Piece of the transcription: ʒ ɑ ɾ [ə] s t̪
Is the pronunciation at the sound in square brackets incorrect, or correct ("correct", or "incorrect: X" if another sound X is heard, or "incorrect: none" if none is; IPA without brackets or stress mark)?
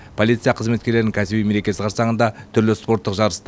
correct